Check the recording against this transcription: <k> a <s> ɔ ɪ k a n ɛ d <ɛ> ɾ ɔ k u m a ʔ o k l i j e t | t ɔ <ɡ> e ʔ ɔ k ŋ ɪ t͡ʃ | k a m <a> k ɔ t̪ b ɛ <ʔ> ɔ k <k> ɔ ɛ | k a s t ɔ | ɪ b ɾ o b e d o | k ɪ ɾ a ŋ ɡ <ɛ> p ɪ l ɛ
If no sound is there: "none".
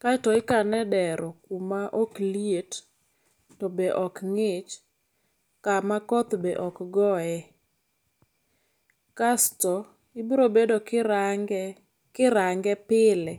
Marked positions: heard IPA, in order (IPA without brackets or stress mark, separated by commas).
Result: k, t, ɛ, b, a, ʔ, ɡ, ɛ